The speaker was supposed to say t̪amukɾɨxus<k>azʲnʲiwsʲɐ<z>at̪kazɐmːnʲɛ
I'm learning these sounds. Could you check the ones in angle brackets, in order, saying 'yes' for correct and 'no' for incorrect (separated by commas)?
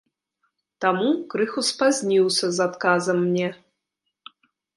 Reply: no, yes